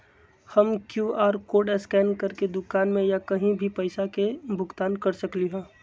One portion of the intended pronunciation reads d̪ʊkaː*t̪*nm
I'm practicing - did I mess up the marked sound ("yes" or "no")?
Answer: yes